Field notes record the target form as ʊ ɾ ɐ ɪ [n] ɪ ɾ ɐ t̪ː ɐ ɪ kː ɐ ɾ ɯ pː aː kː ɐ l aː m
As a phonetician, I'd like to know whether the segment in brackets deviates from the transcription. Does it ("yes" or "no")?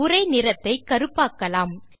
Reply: no